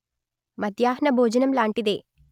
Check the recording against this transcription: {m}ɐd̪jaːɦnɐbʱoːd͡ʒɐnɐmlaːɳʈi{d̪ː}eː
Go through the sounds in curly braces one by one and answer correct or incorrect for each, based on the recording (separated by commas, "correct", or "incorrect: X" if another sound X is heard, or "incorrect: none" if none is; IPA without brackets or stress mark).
correct, incorrect: d̪